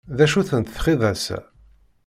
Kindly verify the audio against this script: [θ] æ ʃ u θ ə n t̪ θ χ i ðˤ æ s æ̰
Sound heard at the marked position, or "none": ð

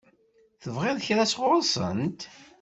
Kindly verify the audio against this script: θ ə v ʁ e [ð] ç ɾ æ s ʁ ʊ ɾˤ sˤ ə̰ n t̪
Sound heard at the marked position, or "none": ð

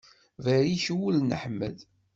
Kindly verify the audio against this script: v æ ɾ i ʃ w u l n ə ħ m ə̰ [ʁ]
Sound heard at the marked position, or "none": ð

